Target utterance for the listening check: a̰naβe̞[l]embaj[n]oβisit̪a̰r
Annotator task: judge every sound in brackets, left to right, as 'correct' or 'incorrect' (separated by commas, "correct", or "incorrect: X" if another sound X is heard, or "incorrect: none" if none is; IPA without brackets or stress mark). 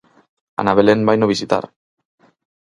correct, correct